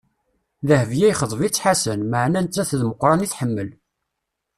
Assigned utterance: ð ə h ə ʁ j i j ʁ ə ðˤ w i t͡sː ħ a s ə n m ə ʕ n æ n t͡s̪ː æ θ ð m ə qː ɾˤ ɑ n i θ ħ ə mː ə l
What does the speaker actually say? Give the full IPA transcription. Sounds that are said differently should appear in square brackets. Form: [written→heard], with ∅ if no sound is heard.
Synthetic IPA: ð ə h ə [ʁ→v] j [i→æ] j [ʁ→χ] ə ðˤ [w→v] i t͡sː ħ a s ə n m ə ʕ n æ n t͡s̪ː æ θ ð m ə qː ɾˤ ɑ n i θ ħ ə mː ə l

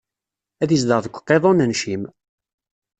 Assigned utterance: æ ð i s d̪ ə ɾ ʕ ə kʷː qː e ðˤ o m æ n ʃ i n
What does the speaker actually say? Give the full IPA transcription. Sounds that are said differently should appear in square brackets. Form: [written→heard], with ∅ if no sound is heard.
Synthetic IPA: æ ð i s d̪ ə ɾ [ʕ→ð] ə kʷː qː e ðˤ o [m→n] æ n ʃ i [n→m]

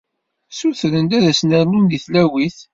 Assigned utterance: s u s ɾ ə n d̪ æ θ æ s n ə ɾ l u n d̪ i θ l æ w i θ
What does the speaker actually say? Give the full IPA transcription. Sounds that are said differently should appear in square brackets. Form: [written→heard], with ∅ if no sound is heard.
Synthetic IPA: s u [s→θ] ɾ ə n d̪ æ [θ→ð] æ s n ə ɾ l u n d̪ i θ l æ w i θ

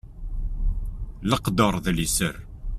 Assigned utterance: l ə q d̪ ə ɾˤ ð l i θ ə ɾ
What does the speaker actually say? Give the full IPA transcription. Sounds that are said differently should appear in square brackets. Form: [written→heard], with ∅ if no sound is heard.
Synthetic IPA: l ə q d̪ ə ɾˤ ð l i [θ→s] ə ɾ

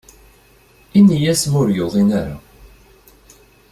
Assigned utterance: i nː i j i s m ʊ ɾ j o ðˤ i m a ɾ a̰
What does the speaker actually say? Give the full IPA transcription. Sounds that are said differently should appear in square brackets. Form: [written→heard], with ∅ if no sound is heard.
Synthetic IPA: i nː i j [i→æ] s m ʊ ɾ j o ðˤ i [m→n] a ɾ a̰

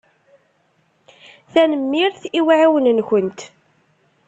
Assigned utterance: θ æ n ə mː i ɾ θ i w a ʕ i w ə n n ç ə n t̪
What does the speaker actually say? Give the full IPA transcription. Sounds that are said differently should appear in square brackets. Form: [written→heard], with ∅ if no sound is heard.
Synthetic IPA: θ æ n ə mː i ɾ θ i w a ʕ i w ə n n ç ə n t̪

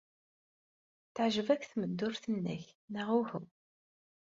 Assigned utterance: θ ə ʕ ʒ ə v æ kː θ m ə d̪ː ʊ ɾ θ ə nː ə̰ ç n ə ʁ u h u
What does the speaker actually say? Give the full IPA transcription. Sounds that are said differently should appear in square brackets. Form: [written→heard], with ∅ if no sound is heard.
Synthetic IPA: θ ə ʕ ʒ ə v æ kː θ m ə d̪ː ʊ ɾ θ ə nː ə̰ ç n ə ʁ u h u

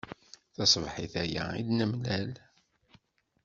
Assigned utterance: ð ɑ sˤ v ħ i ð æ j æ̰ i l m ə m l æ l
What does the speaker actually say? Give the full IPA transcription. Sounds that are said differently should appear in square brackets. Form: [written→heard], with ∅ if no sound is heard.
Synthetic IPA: [ð→θ] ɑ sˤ v ħ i [ð→θ] æ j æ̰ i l [m→n] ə m l æ l

